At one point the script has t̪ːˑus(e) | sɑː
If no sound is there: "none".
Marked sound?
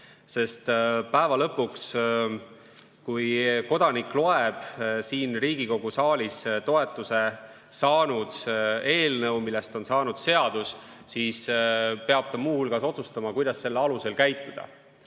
e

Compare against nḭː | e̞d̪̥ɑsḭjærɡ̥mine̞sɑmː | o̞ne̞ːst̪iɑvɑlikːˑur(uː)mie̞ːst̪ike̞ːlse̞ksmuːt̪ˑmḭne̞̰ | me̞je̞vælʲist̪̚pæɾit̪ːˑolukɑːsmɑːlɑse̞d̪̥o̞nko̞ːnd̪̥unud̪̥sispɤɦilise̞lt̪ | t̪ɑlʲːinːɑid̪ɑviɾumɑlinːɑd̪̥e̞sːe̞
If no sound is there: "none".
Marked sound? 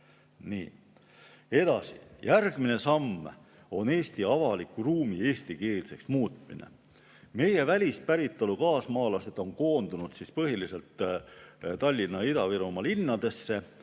uː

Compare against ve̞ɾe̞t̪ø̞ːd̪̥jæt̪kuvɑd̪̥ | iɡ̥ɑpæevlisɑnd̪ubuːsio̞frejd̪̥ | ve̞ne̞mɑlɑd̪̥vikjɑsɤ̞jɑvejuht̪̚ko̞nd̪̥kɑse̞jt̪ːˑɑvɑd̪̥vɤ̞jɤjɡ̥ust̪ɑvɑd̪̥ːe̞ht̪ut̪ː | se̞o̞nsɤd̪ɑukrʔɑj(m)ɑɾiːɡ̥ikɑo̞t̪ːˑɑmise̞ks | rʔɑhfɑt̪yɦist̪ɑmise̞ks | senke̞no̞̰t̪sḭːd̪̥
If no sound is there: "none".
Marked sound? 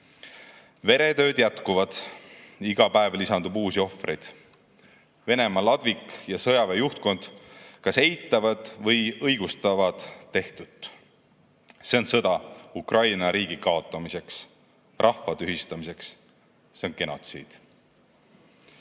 n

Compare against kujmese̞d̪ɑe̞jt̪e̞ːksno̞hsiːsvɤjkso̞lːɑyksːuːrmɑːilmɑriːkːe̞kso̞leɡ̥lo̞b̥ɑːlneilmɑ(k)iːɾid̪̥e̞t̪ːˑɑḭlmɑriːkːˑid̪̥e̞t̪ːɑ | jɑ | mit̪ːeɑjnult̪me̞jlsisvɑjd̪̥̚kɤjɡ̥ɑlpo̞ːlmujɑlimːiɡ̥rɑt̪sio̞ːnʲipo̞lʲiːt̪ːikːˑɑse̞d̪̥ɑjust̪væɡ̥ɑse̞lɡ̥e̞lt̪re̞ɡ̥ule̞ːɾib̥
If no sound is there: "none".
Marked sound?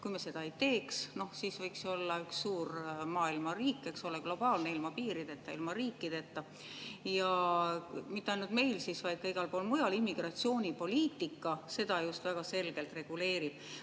p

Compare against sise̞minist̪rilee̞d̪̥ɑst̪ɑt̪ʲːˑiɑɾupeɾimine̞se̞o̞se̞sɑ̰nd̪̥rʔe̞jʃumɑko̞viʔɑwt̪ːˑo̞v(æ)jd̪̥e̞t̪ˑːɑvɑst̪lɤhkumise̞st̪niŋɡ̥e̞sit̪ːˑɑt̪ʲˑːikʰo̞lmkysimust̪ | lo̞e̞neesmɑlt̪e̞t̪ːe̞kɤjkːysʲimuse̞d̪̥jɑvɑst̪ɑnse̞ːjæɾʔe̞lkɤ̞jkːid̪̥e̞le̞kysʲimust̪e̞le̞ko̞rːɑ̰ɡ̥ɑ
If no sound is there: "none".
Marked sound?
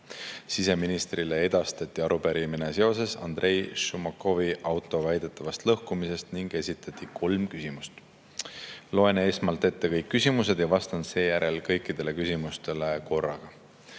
æ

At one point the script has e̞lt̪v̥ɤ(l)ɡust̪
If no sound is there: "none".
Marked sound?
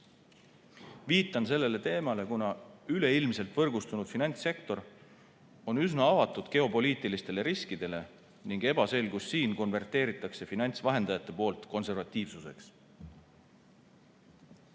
r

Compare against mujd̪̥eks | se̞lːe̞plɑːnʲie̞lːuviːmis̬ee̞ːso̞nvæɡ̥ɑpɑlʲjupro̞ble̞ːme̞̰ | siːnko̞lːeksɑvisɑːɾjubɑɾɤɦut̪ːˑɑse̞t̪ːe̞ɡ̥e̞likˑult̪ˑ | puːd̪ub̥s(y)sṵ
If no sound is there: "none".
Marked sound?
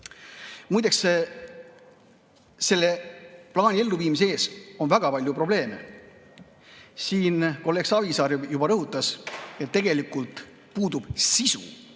i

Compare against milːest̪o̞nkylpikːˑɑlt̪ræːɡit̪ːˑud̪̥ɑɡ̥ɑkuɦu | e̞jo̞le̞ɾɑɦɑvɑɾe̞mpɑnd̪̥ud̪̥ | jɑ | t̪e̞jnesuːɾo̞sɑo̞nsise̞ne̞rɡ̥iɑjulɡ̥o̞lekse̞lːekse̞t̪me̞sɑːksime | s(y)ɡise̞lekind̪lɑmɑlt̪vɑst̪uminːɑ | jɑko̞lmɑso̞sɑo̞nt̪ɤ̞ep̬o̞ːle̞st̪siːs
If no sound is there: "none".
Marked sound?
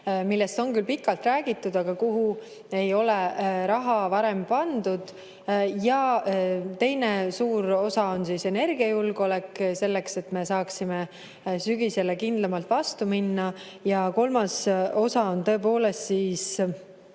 y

